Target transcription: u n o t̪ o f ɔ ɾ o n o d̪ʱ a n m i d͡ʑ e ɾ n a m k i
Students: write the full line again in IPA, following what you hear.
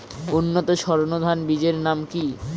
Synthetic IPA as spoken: u nː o t̪ o ʃ ɔ ɾ o n o d̪ʱ a n b i d͡ʑ e ɾ n a m k i